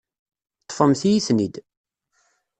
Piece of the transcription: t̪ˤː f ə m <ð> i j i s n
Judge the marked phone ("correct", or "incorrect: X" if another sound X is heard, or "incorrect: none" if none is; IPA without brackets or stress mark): incorrect: θ